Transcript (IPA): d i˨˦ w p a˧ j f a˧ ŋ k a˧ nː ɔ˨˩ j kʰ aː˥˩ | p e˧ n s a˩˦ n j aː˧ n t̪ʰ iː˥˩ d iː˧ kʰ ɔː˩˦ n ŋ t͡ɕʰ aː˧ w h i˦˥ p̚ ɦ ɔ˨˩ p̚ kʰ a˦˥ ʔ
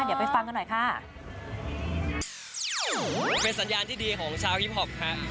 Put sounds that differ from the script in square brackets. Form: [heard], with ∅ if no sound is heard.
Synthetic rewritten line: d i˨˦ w p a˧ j f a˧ ŋ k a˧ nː ɔ˨˩ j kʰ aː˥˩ | p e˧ n s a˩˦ n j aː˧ n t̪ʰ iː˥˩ d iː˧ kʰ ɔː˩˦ [∅] ŋ t͡ɕʰ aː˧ w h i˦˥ p̚ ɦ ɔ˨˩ p̚ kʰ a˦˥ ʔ